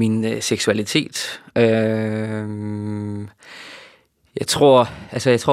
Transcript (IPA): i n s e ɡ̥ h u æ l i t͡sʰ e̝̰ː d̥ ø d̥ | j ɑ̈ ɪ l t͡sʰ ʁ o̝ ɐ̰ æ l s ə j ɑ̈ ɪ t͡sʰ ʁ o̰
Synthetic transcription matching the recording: i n s e ɡ̥ s u æ l i t͡sʰ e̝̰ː d̥ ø | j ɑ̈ ɪ t͡sʰ ʁ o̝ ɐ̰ æ l s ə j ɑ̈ ɪ t͡sʰ ʁ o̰